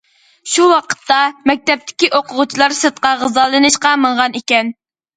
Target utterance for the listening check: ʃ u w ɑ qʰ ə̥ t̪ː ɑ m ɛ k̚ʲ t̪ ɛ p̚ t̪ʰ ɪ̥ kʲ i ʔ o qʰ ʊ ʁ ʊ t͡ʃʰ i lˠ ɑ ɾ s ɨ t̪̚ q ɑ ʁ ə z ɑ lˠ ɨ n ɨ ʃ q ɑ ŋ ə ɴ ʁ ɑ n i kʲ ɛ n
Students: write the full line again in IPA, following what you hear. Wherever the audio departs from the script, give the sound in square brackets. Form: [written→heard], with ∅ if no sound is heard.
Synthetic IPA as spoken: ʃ u w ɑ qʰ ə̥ t̪ː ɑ m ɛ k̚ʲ t̪ ɛ p̚ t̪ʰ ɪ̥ kʲ i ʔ o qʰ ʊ ʁ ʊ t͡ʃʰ i lˠ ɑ ɾ s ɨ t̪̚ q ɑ ʁ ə z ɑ lˠ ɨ n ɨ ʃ q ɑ [ŋ→m] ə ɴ ʁ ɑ n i kʲ ɛ n